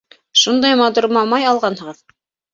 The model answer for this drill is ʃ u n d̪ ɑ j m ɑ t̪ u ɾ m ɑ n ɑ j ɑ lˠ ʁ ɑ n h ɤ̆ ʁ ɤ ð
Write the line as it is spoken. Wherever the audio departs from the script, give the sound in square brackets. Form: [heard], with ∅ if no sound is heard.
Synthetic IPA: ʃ u n d̪ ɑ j m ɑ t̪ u ɾ m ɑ [m] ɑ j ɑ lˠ ʁ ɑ n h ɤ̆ ʁ ɤ ð